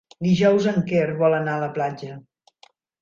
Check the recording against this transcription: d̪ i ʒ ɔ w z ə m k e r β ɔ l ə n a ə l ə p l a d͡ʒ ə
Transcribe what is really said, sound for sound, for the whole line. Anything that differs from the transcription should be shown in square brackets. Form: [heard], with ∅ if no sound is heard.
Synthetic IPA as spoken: d̪ i ʒ ɔ w z ə [ŋ] k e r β ɔ l ə n a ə l ə p l a d͡ʒ ə